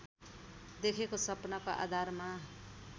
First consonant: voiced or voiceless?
voiced